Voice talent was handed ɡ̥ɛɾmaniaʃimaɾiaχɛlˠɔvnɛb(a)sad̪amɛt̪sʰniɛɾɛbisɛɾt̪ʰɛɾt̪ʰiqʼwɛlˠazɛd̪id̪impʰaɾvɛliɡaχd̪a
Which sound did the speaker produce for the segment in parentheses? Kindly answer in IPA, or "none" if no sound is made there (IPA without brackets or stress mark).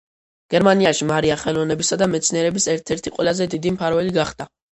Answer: i